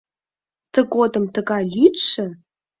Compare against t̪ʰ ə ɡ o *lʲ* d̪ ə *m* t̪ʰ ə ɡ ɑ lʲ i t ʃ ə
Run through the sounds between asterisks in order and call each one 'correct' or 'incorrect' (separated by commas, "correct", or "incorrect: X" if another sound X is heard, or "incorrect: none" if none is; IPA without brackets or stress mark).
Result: incorrect: none, correct